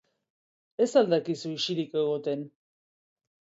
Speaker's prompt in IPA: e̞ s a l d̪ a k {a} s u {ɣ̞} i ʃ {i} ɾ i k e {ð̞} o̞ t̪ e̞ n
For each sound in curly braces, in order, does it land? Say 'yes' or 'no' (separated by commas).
no, no, yes, no